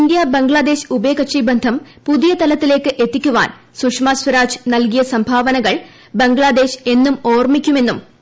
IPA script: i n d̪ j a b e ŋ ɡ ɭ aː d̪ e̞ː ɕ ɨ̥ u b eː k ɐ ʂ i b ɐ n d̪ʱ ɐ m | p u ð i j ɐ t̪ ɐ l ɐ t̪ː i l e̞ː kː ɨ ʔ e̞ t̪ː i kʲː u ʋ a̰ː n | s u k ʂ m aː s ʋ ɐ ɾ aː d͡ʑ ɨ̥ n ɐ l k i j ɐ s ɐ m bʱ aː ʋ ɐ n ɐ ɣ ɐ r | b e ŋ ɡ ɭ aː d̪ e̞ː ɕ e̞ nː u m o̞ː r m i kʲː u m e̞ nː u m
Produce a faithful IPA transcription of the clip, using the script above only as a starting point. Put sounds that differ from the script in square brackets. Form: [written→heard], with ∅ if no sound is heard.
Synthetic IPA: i n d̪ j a b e ŋ ɡ ɭ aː d̪ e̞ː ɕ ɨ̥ u b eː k ɐ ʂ i b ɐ n d̪ʱ ɐ m | p u ð i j ɐ t̪ ɐ l ɐ t̪ː i l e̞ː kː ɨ ʔ e̞ t̪ː i kʲː u ʋ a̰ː n | s u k ʂ m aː s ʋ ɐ ɾ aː d͡ʑ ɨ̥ n ɐ l k i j ɐ s ɐ m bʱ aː ʋ ɐ n ɐ ɣ ɐ [r→ɭ] | b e ŋ ɡ ɭ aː d̪ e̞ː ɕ e̞ nː u m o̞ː r m i kʲː u m e̞ nː u m